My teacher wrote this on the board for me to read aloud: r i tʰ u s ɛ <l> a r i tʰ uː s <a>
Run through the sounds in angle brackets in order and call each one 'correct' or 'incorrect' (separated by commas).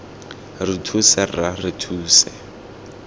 incorrect, incorrect